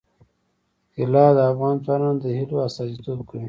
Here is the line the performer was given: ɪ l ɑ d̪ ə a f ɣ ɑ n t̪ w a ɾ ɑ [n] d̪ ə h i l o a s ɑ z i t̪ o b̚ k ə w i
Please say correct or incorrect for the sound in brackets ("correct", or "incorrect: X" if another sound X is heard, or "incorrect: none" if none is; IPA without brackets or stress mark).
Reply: correct